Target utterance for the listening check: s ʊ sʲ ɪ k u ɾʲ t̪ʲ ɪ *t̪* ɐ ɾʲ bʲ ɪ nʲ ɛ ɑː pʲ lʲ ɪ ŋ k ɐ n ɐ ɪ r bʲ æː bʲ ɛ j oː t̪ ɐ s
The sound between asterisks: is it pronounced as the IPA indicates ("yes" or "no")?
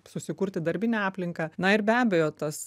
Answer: no